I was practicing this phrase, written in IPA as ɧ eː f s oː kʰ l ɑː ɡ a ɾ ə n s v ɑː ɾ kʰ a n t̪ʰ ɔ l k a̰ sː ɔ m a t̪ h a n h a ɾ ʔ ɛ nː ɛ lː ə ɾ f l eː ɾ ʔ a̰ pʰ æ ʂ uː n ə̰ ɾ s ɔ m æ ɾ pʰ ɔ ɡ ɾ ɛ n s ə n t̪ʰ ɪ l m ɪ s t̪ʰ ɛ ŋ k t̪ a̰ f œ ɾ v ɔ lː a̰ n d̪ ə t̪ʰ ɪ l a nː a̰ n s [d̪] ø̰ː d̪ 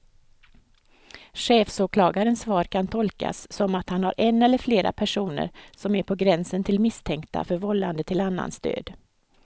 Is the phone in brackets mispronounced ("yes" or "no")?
yes